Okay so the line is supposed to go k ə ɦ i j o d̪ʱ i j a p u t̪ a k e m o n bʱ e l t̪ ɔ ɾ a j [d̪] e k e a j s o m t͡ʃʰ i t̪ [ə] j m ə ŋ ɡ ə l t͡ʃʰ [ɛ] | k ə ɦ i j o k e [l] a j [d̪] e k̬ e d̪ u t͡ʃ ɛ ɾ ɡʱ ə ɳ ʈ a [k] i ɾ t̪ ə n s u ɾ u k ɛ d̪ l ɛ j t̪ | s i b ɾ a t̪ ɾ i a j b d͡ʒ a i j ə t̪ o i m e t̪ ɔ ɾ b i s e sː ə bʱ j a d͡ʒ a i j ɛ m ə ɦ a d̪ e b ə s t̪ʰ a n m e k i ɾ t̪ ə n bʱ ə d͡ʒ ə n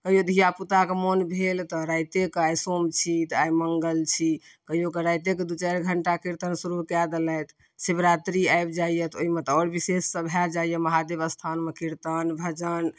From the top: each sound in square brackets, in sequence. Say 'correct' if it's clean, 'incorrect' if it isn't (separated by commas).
incorrect, incorrect, incorrect, incorrect, incorrect, correct